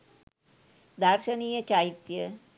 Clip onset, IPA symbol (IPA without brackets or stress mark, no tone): d̪